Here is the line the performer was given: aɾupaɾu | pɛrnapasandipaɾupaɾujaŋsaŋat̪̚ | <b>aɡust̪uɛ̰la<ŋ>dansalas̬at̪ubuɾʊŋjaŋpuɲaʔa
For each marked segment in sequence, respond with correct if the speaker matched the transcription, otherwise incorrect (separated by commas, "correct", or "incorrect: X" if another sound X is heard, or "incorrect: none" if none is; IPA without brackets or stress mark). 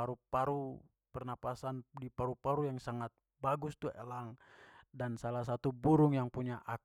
correct, correct